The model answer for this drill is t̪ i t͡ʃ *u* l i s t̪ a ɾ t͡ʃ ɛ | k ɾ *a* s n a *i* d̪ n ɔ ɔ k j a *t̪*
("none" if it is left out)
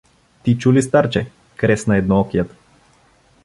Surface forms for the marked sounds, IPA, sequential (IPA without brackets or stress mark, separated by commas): u, ɛ, ɛ, t̪